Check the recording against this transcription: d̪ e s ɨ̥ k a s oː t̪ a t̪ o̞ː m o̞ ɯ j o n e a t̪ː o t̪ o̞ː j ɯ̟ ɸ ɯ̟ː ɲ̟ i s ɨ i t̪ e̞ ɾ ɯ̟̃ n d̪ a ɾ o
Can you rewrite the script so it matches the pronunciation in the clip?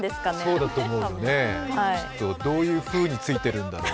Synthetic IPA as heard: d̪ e s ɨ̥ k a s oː d̪ a t̪ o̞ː m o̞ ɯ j o n e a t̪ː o d̪ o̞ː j ɯ̟ː ɸ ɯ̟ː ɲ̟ i t͡s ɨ i t̪ e̞ ɾ ɯ̟̃ n d̪ a ɾ o